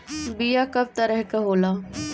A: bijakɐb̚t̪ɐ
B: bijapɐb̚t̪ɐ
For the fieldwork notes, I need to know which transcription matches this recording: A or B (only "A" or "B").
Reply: A